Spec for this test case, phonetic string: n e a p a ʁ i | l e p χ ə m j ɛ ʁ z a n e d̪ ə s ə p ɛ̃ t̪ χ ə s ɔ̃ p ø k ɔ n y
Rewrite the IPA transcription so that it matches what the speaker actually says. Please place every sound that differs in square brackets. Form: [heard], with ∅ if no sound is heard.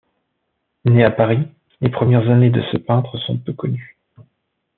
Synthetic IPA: n e a p a ʁ i | l e p χ ə m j ɛ ʁ z a n e d̪ ə s ə p ɛ̃ t̪ χ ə s ɔ̃ p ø k ɔ n y